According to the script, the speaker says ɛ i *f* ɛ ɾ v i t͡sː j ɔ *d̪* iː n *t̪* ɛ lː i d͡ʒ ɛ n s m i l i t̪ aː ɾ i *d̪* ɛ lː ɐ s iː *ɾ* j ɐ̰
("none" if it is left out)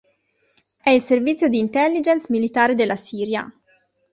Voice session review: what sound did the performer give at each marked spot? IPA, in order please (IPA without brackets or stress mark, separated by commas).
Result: s, d̪, t̪, d̪, ɾ